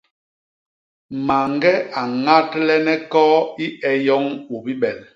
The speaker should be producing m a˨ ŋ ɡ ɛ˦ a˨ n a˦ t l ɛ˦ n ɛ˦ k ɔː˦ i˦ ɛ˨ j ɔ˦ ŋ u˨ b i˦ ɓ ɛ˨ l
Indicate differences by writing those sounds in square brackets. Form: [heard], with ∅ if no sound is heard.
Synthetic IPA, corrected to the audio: m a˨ ŋ ɡ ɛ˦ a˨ [ŋ] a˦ t l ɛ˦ n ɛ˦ k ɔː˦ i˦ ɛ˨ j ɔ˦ ŋ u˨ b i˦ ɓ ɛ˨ l